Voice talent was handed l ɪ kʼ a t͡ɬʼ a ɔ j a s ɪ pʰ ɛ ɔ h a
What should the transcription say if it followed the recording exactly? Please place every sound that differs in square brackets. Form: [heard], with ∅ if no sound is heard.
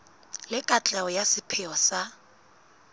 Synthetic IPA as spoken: l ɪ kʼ a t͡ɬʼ a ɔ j a s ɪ pʰ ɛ ɔ [s] a